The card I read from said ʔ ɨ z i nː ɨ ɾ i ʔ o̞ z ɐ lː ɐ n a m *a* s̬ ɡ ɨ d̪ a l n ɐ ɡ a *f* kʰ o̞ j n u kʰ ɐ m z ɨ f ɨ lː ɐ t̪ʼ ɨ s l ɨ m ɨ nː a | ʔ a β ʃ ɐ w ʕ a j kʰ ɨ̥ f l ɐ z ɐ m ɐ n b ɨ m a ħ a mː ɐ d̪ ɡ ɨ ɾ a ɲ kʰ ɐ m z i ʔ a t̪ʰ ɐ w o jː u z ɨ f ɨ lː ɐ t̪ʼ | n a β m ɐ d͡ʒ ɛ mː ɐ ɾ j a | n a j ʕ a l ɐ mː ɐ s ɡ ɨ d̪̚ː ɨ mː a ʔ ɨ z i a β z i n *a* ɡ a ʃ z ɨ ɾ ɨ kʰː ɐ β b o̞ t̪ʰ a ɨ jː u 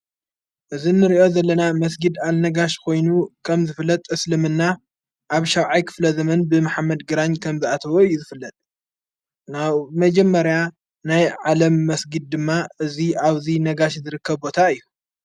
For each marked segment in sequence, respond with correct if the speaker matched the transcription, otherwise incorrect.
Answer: incorrect: ɐ, incorrect: ʃ, incorrect: ɐ

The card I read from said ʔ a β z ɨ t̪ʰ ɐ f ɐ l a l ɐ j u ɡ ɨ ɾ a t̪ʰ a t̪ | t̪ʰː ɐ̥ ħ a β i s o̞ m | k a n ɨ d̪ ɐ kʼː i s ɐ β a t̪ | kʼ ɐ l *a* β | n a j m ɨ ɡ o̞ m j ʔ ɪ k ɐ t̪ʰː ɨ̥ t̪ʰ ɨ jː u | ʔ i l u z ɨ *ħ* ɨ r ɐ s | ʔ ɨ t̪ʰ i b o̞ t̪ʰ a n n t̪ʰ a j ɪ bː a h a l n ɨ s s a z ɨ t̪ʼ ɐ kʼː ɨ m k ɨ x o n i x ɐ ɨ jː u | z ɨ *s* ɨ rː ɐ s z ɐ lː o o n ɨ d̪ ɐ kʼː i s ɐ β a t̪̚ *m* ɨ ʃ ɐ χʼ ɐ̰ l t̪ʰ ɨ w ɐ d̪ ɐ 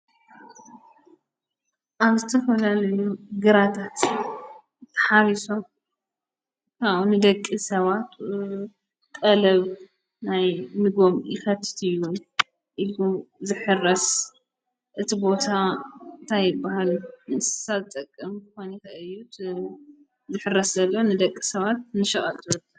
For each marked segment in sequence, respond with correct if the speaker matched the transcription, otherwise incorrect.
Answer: incorrect: ɐ, correct, incorrect: ħ, incorrect: n

